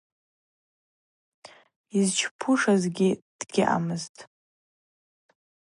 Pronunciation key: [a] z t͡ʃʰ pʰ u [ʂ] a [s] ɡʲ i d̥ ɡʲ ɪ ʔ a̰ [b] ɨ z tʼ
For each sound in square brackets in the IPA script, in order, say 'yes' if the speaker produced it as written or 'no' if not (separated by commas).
no, yes, no, no